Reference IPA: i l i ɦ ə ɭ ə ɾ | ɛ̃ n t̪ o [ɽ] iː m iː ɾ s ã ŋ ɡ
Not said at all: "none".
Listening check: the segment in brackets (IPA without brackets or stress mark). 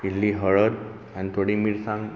ɽ